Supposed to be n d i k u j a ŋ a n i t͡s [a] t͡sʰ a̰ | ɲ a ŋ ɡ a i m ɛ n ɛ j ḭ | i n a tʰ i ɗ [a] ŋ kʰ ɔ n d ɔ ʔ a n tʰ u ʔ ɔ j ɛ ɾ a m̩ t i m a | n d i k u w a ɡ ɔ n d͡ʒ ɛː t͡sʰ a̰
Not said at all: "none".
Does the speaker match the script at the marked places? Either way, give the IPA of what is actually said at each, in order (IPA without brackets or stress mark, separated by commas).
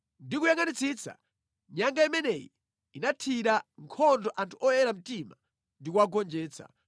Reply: i, a